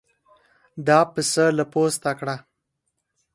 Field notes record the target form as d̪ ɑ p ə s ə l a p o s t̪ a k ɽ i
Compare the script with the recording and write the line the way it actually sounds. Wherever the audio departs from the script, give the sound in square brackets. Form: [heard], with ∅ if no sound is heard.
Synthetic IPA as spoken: d̪ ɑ p ə s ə l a p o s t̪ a k ɽ [a]